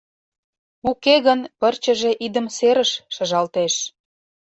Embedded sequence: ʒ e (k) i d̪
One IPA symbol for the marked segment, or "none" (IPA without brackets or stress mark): ʔ